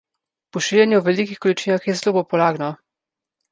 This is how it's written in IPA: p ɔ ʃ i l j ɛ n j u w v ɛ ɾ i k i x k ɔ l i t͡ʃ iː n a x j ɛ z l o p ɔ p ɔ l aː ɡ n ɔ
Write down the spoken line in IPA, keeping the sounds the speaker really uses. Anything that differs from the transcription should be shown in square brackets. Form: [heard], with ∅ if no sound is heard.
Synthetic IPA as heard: p ɔ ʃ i l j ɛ n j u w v ɛ [l] i k i x k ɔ l i t͡ʃ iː n a x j ɛ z l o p ɔ p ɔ l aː ɡ n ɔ